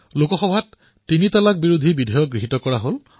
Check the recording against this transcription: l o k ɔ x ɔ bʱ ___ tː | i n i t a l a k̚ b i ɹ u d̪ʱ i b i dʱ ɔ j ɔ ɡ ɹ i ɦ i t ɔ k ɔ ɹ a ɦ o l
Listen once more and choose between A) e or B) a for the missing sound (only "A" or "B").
B